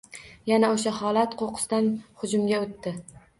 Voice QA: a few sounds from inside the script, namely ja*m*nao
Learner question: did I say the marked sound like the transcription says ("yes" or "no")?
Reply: no